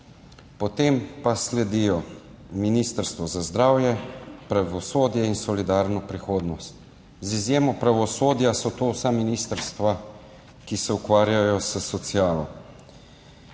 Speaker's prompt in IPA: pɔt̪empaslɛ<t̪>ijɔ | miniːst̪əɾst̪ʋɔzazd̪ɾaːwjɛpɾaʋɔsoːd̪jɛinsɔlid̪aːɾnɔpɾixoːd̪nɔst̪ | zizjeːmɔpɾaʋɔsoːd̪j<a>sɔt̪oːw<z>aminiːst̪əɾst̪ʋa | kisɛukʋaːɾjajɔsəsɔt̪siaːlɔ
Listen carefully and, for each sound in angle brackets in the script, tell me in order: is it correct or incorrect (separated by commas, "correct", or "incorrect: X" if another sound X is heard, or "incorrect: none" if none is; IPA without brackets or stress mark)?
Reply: incorrect: d̪, correct, incorrect: s